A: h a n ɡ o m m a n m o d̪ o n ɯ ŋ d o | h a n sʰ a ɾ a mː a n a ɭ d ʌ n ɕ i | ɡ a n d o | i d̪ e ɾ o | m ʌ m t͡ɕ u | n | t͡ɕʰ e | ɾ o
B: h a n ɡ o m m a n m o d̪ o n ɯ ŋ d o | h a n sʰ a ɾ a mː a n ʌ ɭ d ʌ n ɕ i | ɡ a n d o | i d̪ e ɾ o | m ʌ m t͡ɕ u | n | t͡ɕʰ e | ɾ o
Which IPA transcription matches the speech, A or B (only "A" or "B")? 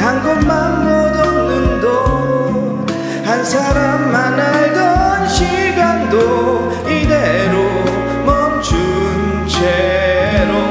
A